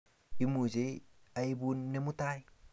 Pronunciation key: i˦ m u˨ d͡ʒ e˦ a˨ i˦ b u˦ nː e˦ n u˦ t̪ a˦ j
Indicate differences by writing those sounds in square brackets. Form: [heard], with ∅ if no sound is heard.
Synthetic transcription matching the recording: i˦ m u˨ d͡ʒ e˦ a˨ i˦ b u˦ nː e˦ [m] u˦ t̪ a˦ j

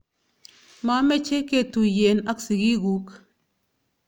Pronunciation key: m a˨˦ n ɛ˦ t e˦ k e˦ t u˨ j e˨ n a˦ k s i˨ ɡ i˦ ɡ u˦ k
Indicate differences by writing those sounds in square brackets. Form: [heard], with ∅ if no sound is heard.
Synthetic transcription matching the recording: m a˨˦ [m] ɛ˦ [t͡ʃ] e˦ k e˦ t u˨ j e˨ n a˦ k s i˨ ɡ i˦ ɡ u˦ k

